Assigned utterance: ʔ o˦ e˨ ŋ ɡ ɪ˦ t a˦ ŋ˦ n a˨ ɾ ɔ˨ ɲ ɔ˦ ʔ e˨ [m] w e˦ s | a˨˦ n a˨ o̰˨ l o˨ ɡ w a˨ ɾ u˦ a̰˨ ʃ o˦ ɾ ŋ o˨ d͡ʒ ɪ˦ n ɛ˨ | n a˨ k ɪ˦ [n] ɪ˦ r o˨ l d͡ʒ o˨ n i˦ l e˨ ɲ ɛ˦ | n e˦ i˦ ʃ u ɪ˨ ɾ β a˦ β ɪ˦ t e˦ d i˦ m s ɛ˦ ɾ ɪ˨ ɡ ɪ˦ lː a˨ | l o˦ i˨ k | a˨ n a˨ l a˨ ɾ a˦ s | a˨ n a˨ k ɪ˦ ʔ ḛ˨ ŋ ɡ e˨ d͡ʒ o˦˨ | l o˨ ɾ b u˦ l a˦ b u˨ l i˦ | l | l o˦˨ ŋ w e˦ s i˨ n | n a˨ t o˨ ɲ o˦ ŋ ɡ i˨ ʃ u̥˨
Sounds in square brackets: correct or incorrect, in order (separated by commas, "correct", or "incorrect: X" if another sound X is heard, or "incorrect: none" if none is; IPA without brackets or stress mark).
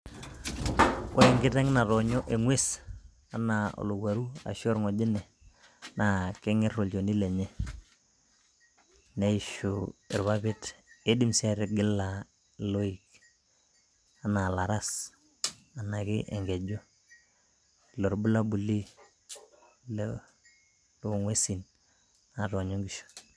incorrect: ŋ, incorrect: ŋ